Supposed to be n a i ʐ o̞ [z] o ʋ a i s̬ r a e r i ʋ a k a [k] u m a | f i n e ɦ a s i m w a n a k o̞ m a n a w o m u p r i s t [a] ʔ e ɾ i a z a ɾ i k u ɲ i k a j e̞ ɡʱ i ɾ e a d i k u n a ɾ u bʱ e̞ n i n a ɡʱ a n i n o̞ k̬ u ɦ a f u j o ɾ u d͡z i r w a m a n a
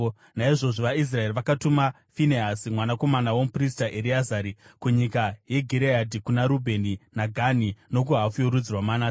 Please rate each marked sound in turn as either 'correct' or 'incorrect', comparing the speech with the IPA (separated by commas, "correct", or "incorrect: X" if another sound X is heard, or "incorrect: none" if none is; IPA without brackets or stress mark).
incorrect: ʐ, incorrect: t, correct